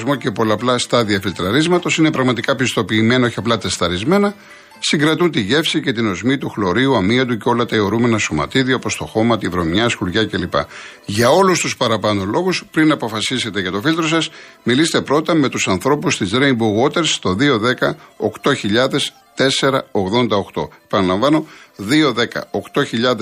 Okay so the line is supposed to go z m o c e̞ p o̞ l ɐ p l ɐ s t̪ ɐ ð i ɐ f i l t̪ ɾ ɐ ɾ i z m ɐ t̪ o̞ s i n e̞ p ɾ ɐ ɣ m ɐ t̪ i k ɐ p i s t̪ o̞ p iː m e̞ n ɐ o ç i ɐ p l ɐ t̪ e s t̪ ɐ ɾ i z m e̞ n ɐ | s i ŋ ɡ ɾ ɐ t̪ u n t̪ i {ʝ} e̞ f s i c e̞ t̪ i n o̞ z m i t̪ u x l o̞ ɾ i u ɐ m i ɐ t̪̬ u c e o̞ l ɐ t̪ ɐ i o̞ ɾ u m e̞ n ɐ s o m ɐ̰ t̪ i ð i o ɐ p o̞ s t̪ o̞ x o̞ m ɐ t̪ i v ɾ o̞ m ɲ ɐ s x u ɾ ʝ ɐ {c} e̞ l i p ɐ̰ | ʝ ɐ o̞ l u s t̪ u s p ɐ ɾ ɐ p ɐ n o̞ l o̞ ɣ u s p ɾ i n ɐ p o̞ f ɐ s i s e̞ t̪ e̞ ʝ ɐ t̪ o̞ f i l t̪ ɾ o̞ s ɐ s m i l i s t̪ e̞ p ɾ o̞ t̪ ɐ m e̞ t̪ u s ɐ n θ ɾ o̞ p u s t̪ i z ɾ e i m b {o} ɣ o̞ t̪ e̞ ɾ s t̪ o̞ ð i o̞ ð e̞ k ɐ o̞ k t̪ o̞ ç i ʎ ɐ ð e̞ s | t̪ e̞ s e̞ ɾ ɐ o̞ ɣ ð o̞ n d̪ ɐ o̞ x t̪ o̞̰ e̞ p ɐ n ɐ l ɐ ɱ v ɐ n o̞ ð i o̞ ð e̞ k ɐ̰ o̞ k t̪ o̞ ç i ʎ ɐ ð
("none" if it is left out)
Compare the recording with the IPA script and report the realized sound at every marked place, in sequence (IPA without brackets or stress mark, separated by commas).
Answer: ʝ, c, u